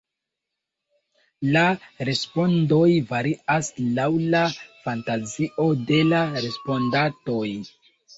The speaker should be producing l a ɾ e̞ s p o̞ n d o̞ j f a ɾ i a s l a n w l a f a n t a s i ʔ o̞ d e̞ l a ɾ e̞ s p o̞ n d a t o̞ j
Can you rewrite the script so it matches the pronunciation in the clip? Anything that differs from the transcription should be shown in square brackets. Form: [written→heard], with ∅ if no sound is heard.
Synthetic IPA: l a ɾ e̞ s p o̞ n d o̞ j [f→v] a ɾ i a s l a [n→∅] w l a f a n t a [s→z] i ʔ o̞ d e̞ l a ɾ e̞ s p o̞ n d a t o̞ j